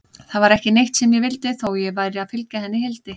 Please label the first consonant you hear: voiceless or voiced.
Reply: voiceless